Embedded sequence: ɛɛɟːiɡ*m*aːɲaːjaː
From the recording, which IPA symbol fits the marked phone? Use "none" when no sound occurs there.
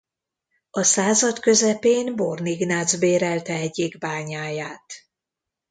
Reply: b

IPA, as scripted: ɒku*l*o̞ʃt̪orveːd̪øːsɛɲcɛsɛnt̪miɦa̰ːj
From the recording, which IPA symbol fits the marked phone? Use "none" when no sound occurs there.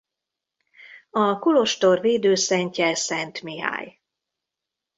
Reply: l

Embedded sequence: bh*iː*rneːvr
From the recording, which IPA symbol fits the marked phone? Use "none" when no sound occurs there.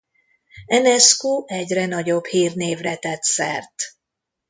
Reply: iː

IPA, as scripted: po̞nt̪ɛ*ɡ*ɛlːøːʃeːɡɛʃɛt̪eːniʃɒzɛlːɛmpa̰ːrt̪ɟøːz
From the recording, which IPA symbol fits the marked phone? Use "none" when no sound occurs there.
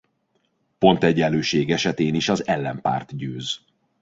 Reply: ɟ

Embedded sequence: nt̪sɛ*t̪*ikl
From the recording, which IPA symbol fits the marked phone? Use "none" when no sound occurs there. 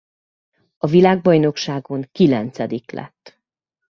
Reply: d̪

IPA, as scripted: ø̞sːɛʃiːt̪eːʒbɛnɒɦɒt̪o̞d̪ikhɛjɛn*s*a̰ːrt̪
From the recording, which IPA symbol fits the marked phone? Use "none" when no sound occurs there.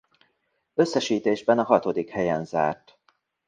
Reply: z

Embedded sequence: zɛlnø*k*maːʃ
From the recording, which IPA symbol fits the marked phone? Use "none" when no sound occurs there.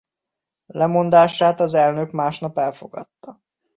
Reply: k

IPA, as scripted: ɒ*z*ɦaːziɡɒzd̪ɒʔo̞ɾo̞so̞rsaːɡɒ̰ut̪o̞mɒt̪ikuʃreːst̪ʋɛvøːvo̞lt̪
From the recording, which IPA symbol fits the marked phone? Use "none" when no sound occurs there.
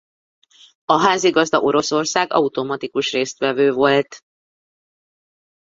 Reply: none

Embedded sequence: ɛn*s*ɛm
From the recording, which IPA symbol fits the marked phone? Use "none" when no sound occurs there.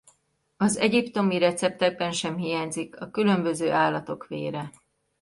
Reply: ʃ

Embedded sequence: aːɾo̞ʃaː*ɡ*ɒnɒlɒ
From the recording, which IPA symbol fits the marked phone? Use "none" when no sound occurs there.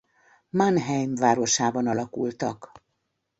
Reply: b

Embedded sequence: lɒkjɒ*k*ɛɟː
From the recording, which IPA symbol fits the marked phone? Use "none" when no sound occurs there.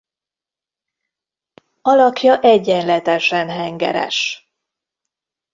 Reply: ʔ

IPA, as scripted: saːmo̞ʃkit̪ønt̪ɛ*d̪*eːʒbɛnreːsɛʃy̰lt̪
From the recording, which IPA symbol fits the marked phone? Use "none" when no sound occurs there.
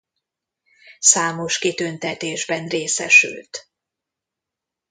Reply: t̪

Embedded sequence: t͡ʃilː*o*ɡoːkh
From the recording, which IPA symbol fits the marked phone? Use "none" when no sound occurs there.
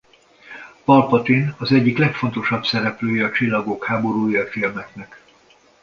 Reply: ɒ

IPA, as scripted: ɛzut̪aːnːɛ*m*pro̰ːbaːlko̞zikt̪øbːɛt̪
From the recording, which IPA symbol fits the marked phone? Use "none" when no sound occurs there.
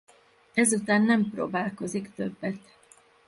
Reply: m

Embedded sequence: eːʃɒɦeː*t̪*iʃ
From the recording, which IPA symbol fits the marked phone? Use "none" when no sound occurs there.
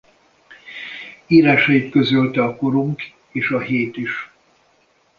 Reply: t̪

